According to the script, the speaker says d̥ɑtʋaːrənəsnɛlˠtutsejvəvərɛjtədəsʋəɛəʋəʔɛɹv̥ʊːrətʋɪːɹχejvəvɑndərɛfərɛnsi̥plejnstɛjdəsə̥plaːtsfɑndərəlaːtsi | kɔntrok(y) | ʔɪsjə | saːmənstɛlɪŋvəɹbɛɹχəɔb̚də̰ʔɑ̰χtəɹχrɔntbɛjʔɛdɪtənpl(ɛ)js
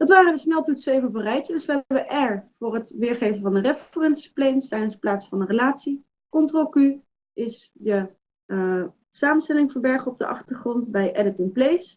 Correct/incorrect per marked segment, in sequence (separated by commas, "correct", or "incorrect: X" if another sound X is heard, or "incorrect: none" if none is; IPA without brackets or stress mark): correct, incorrect: e